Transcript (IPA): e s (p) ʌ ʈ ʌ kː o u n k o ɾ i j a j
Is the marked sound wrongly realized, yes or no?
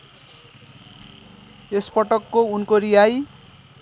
no